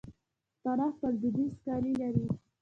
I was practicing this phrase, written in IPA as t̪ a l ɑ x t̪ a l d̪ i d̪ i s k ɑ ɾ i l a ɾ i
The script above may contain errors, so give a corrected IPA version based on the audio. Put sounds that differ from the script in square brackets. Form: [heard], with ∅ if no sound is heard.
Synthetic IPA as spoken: t̪ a [ɾ] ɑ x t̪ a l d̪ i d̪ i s k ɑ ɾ i l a ɾ i